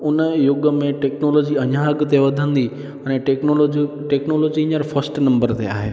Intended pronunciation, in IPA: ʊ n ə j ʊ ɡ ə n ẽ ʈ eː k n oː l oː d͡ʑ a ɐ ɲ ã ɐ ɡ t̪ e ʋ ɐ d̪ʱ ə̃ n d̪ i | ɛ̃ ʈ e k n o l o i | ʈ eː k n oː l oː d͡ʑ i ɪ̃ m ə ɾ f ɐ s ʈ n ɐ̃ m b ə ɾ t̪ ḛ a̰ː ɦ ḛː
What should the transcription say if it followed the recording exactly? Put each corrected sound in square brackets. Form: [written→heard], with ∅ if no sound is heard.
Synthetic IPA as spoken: ʊ n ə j ʊ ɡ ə [n→m] ẽ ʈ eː k n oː l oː d͡ʑ [a→i] ɐ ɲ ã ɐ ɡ t̪ e ʋ ɐ d̪ʱ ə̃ n d̪ i | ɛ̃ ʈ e k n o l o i | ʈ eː k n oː l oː d͡ʑ i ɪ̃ [m→ɲ] ə ɾ f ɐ s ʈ n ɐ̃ m b ə ɾ t̪ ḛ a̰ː ɦ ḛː